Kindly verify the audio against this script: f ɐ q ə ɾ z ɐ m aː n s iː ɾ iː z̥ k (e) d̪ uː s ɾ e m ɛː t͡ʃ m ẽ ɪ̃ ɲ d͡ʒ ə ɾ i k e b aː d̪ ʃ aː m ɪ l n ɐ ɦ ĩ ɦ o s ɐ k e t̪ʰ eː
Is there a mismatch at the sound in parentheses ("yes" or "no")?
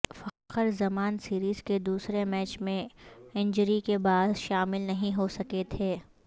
no